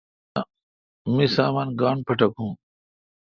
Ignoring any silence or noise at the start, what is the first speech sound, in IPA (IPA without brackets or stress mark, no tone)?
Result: m